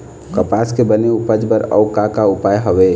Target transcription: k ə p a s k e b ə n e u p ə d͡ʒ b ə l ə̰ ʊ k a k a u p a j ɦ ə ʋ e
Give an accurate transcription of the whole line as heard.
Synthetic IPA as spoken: k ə p a s k e b ə n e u p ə d͡ʒ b ə ɾ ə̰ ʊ k a k a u p a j ɦ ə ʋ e